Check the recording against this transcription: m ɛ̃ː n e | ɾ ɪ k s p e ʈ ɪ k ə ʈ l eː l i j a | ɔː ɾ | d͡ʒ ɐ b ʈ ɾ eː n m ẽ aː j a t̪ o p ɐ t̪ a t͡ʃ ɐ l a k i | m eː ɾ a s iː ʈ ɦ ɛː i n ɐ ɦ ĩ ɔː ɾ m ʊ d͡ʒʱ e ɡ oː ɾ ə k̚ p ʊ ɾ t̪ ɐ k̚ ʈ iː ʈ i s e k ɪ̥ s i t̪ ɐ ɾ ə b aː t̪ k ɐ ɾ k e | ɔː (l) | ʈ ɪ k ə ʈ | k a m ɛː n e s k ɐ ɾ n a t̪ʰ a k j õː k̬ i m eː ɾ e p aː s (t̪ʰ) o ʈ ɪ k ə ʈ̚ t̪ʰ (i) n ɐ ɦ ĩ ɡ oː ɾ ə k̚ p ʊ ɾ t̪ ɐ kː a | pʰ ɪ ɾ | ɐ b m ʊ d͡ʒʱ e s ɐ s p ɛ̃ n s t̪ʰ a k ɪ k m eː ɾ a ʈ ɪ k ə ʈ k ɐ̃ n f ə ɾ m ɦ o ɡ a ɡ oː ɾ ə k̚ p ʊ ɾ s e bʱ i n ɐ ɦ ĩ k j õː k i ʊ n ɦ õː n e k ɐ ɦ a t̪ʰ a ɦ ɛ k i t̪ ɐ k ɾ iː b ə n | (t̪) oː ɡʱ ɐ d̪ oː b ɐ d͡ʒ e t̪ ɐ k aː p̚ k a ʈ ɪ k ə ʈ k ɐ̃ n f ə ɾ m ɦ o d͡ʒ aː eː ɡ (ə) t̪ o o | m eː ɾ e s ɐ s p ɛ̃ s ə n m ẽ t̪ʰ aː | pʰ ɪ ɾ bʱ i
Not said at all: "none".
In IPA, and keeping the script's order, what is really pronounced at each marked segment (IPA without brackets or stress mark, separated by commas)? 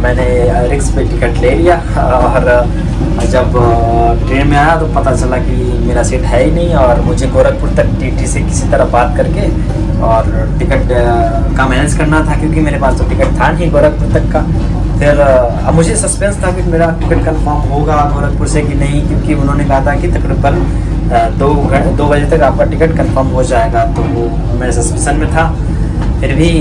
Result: ɾ, t̪, a, d̪, a